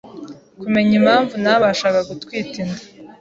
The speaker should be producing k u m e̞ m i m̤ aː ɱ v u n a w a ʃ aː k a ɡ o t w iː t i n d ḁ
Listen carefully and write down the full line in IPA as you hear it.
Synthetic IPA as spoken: k u m e̞ ɲ i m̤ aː ɱ v u n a β a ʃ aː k a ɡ u t w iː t i n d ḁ